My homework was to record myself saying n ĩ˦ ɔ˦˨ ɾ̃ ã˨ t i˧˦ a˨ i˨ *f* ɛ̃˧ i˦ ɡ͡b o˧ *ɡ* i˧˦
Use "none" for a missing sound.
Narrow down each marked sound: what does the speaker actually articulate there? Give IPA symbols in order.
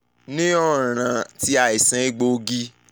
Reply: s, ɡ

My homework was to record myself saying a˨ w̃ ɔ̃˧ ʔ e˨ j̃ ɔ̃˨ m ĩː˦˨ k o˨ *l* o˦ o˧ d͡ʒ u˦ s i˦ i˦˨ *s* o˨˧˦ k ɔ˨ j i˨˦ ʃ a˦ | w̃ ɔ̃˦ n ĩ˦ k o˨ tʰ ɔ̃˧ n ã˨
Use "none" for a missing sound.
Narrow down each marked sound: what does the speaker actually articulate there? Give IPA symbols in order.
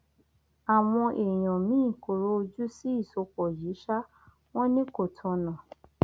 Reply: ɾ, s

